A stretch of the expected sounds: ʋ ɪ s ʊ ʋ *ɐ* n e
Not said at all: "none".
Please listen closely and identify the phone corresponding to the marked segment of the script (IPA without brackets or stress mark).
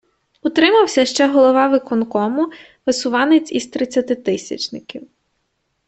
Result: ɑ